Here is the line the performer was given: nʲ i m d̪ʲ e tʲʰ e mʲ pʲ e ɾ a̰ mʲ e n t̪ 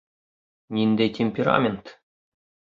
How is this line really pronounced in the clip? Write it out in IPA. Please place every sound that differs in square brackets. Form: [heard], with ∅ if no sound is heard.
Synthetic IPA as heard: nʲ i [n] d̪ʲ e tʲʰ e mʲ pʲ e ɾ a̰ mʲ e n t̪